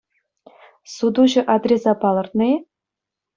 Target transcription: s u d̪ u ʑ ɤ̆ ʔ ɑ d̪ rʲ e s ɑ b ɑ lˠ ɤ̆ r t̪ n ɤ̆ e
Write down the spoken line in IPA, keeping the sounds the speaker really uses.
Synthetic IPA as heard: s u d̪ u ʑ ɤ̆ ʔ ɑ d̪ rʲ e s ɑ p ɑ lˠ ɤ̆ r t̪ n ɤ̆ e